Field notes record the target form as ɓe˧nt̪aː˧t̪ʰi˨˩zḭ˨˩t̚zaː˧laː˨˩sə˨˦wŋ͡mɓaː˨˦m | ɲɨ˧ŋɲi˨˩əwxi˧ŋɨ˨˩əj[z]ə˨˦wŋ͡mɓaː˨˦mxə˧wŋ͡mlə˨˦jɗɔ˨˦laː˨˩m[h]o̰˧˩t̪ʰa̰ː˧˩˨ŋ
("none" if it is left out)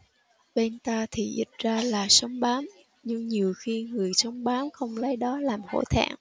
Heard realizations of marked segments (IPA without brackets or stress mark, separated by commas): s, h